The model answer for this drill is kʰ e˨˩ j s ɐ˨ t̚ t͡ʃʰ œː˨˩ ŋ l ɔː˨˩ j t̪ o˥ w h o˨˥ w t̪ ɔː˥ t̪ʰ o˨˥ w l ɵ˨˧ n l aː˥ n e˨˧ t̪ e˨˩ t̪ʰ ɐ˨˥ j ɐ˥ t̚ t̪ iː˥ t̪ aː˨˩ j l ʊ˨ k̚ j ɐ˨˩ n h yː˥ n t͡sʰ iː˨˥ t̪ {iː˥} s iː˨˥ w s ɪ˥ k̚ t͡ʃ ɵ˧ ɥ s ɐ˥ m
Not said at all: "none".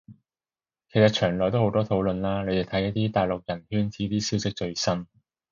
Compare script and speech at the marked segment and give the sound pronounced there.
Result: iː˥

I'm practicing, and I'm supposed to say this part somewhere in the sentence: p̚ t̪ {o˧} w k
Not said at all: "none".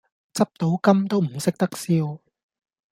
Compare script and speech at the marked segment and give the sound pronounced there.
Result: o˨˥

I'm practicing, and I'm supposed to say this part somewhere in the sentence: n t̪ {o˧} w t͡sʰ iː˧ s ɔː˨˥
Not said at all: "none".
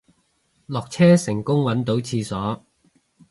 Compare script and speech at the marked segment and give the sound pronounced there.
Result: o˨˥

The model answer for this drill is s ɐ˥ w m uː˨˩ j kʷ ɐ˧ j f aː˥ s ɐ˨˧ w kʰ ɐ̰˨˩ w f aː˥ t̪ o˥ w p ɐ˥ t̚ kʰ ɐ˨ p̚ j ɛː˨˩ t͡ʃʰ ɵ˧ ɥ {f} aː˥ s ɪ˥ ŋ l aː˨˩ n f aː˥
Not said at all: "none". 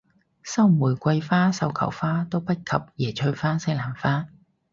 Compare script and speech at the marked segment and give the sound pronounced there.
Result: f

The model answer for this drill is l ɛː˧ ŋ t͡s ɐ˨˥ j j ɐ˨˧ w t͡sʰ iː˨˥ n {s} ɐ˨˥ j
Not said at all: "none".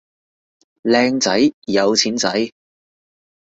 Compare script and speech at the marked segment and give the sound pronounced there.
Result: t͡s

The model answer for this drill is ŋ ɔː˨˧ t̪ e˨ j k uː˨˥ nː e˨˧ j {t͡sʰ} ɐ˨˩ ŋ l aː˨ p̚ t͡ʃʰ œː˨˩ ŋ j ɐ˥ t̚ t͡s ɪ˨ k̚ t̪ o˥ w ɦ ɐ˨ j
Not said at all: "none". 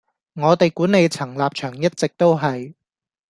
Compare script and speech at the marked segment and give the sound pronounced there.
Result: t͡sʰ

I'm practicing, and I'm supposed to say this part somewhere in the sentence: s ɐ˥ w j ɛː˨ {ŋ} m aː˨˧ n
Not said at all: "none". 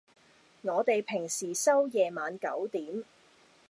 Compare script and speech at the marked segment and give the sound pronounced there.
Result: none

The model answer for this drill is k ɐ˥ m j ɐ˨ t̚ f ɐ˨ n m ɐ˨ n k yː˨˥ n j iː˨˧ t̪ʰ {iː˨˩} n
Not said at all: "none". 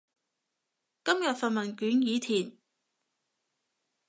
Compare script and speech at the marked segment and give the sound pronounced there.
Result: iː˨˩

